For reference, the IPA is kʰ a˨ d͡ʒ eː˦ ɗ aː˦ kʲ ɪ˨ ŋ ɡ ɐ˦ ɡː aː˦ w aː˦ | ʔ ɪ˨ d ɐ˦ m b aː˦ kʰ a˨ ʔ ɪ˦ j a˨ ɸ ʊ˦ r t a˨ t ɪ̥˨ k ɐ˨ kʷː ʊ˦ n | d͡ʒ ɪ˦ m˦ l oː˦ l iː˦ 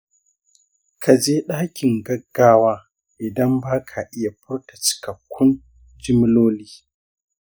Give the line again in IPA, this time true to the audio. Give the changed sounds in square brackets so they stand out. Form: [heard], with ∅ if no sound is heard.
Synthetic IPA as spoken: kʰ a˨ d͡ʒ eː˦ ɗ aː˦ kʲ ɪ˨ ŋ ɡ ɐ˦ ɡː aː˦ w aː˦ | ʔ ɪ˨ d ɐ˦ m b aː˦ kʰ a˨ ʔ ɪ˦ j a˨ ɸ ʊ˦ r t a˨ [t͡ʃ] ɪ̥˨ k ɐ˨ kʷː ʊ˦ n | d͡ʒ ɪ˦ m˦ l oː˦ l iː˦